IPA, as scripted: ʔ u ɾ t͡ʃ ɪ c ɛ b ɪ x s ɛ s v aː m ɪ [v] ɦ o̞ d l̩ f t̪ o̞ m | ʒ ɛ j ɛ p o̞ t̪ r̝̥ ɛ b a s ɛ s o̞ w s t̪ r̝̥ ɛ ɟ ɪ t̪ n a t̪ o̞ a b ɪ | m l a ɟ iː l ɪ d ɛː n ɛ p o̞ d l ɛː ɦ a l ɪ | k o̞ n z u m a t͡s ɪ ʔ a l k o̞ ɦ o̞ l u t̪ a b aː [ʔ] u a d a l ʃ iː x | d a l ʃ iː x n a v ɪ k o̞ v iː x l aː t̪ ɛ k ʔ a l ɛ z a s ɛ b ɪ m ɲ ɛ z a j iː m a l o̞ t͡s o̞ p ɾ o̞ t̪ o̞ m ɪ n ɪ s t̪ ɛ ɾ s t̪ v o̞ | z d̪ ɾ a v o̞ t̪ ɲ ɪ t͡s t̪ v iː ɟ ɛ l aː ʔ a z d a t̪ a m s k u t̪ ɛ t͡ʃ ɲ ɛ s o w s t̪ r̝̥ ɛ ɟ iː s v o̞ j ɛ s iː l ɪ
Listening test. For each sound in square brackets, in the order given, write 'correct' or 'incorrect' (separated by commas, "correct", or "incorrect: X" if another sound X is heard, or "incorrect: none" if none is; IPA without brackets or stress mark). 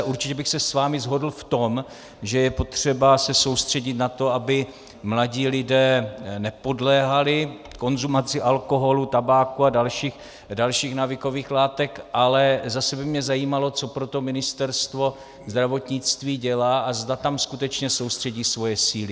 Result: incorrect: z, incorrect: k